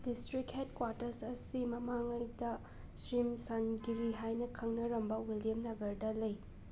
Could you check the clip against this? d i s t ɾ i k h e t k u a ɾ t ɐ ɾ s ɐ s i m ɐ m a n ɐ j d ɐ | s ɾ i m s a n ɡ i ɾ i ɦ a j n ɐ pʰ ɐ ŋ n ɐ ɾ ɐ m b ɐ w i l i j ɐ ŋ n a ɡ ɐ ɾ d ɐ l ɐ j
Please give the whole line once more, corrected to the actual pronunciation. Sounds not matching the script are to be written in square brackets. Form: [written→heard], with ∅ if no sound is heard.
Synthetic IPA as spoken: d i s t ɾ i k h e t k [u→w] a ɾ t ɐ ɾ s ɐ s i m ɐ m a [n→ŋ] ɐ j d ɐ | s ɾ i m s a n ɡ i ɾ i ɦ a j n ɐ [pʰ→kʰ] ɐ ŋ n ɐ ɾ ɐ m b ɐ w i l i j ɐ [ŋ→m] n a ɡ ɐ ɾ d ɐ l ɐ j